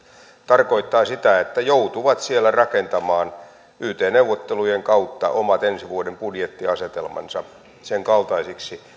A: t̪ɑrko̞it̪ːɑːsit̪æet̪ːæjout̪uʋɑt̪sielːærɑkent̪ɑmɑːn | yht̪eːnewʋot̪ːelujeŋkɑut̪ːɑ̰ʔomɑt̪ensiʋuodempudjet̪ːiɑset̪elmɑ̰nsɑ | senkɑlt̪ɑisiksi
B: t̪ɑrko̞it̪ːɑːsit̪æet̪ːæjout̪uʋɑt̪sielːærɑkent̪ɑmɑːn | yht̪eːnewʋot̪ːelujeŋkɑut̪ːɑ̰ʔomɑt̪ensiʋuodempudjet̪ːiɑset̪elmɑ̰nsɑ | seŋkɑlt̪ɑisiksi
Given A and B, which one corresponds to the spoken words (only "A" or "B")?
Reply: B